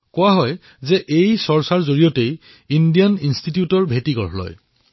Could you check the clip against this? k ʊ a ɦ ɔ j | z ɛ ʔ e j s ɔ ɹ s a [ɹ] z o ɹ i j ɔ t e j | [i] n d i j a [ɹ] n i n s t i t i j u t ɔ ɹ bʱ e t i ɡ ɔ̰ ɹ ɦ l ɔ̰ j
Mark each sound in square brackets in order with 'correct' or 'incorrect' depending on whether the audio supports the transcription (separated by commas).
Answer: correct, correct, incorrect